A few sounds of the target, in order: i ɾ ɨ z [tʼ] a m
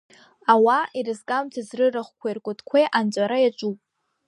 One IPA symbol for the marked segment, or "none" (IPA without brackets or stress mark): kʼ